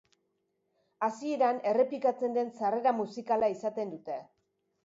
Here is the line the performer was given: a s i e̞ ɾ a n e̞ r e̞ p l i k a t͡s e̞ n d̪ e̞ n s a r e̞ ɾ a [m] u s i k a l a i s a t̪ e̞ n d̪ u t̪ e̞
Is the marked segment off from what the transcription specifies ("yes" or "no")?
no